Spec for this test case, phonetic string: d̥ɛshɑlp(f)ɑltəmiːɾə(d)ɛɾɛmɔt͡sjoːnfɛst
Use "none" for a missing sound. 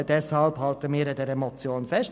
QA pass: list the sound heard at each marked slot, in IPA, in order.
h, d

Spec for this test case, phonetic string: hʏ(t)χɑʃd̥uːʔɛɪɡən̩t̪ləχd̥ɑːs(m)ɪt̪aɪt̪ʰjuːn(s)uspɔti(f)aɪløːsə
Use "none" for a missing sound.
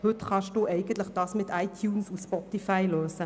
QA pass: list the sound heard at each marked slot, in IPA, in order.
t, m, s, f

